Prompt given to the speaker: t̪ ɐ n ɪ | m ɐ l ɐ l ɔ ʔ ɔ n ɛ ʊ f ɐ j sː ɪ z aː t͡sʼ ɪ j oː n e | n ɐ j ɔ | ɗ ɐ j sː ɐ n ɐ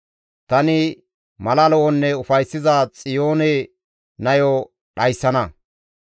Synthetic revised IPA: t̪ ɐ n ɪ | m ɐ l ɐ l ɔ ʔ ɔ nː ɛ ʊ f ɐ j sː ɪ z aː t͡sʼ ɪ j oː n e | n ɐ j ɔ | ɗ ɐ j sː ɐ n ɐ